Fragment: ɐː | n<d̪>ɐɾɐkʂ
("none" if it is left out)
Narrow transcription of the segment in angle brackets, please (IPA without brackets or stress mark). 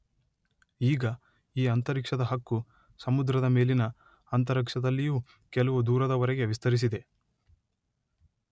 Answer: t̪